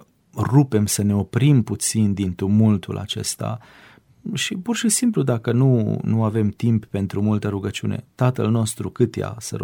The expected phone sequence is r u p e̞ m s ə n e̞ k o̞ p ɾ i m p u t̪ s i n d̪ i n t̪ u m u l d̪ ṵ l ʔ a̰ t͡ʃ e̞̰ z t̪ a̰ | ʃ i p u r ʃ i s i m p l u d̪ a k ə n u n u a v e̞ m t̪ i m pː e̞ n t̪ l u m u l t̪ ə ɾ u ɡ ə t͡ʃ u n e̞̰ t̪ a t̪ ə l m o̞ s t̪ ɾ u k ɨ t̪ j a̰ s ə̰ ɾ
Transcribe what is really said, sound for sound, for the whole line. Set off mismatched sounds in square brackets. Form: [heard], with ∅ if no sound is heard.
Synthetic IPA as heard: r u p e̞ m s ə n e̞ [∅] o̞ p ɾ i m p u t̪ s i n d̪ i n t̪ u m u l [t̪] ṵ l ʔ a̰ t͡ʃ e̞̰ [s] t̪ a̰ | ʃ i p u r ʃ i s i m p l u d̪ a k ə n u n u a v e̞ m t̪ i m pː e̞ n t̪ [ɾ] u m u l t̪ ə ɾ u ɡ ə t͡ʃ u n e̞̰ t̪ a t̪ ə l [n] o̞ s t̪ ɾ u k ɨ t̪ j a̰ s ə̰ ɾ